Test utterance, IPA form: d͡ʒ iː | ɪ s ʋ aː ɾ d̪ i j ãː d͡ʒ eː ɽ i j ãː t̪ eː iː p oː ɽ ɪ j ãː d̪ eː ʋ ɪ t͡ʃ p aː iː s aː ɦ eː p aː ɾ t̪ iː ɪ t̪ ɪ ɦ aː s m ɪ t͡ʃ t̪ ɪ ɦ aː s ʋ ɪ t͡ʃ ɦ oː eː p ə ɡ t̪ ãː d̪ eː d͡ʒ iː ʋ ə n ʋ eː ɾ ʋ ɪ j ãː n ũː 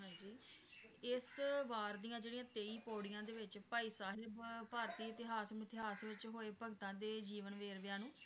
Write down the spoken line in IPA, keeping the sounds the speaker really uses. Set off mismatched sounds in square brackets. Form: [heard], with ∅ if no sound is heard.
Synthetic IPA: d͡ʒ iː | ɪ s ʋ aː ɾ d̪ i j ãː d͡ʒ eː ɽ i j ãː t̪ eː iː p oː ɽ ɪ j ãː d̪ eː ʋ ɪ t͡ʃ p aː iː s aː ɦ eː p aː ɾ t̪ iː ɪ t̪ ɪ ɦ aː s m ɪ [∅] t̪ ɪ ɦ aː s ʋ ɪ t͡ʃ ɦ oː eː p ə ɡ t̪ ãː d̪ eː d͡ʒ iː ʋ ə n ʋ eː ɾ ʋ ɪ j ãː n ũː